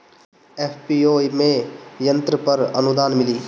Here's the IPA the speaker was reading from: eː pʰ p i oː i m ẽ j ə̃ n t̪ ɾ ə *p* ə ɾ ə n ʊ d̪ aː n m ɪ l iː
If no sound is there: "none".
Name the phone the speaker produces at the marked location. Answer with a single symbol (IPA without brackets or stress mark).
p